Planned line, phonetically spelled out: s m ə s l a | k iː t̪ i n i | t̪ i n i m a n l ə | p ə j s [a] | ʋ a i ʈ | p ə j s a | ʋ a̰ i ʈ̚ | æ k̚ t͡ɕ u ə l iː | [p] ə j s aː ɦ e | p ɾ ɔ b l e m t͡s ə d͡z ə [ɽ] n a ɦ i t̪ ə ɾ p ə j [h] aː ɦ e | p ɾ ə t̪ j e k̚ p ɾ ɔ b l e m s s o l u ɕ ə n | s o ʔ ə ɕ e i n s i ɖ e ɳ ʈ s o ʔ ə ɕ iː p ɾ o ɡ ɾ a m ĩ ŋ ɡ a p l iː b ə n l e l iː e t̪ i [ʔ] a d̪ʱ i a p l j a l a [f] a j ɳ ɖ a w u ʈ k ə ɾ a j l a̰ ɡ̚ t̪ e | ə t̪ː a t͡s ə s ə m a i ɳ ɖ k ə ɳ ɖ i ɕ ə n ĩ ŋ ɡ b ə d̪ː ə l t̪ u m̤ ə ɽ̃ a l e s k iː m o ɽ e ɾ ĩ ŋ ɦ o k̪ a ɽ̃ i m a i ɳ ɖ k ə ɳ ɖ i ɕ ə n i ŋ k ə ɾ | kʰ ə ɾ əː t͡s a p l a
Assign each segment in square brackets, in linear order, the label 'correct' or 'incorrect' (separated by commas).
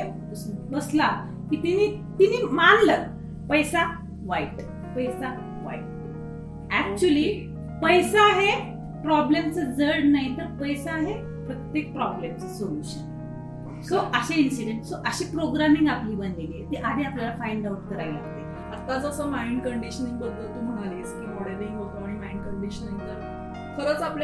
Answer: correct, correct, correct, incorrect, correct, correct